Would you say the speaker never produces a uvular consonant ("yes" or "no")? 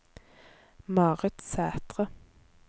no